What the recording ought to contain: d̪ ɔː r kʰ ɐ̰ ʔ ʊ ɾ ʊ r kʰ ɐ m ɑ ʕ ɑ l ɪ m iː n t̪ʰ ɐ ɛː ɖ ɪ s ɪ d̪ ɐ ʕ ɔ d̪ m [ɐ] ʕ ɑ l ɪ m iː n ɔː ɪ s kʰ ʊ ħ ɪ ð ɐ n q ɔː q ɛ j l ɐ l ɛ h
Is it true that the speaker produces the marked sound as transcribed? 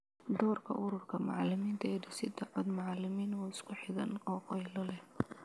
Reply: no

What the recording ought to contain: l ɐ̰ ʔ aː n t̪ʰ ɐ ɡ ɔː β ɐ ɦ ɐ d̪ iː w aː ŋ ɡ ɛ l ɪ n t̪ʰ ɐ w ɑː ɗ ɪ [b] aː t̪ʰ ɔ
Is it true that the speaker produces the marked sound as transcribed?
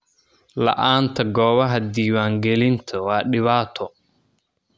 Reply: no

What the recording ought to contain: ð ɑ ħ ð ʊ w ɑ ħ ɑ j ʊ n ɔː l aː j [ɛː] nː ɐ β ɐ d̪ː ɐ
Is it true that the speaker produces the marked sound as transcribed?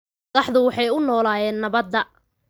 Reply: yes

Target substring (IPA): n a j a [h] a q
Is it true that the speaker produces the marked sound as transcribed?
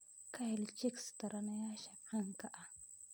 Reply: no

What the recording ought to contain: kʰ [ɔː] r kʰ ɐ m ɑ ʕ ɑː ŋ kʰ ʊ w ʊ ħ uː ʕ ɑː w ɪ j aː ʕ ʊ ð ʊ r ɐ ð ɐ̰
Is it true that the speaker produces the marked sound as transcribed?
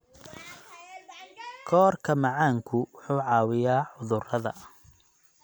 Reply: yes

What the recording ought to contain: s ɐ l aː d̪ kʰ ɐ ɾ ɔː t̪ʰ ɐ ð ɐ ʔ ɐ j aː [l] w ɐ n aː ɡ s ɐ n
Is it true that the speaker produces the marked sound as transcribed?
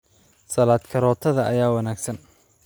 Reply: no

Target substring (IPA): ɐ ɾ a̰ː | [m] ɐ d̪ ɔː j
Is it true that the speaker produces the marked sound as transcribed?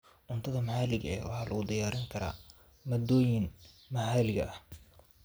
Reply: yes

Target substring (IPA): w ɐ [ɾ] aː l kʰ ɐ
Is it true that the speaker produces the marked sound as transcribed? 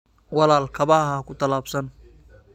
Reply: no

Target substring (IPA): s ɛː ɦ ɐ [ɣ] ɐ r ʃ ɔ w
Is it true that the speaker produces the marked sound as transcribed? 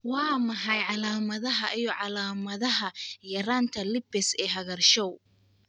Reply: yes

